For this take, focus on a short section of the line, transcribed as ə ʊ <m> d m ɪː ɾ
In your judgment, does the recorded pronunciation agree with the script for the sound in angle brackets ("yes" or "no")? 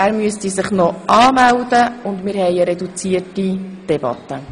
no